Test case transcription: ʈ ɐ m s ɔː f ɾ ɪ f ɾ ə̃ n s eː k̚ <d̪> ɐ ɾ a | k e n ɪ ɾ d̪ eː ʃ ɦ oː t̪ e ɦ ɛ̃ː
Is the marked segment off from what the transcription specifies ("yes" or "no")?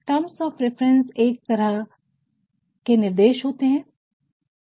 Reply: yes